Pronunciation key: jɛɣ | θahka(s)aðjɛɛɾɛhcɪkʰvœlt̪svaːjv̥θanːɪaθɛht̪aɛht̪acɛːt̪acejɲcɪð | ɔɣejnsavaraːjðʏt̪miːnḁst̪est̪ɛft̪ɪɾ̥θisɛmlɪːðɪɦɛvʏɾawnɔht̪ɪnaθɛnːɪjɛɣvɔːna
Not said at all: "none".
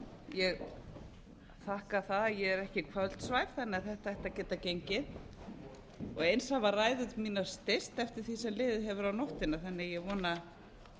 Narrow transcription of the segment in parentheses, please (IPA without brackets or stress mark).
θ